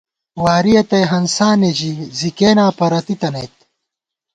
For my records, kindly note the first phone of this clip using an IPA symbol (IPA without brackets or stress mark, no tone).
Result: w